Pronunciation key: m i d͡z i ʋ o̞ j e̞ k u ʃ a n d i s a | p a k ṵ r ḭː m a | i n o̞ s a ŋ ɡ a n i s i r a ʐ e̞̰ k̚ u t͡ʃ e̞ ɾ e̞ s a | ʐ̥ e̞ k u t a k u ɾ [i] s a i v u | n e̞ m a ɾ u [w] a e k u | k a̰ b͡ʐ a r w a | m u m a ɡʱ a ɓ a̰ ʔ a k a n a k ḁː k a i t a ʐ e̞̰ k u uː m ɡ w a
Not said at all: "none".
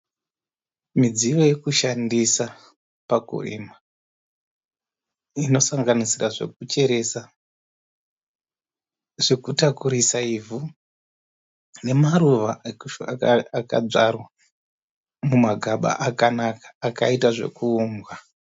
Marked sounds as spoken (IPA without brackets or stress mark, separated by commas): i, ʋ